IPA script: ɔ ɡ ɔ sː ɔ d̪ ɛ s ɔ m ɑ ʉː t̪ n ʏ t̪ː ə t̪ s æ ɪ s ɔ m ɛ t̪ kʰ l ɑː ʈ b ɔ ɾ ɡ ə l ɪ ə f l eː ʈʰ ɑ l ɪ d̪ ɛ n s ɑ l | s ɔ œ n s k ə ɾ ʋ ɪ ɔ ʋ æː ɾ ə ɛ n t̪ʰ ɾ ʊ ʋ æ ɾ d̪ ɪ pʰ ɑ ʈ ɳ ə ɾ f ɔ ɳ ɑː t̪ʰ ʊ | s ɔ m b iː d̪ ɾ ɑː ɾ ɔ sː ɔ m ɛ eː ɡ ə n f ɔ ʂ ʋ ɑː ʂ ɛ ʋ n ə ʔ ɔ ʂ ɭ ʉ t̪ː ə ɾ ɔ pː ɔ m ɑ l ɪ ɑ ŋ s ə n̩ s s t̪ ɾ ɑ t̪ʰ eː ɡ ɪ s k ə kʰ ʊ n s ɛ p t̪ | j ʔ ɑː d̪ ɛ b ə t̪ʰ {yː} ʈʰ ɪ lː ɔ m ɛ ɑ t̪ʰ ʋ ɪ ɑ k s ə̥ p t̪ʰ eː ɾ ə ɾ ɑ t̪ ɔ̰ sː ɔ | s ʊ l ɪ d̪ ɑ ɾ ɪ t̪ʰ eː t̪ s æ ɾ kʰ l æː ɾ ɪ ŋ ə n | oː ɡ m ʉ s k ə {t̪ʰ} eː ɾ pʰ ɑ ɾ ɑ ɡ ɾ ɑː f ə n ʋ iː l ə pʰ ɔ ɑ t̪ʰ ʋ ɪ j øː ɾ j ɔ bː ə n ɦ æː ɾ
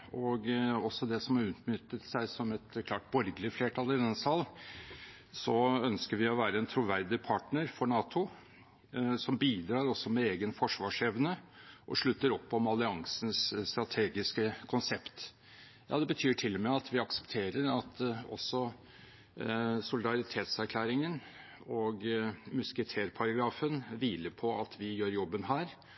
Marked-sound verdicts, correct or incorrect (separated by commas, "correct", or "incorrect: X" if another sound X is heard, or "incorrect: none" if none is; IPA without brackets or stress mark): correct, correct